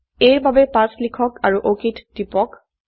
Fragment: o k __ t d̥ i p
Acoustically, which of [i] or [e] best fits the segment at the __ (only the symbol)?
i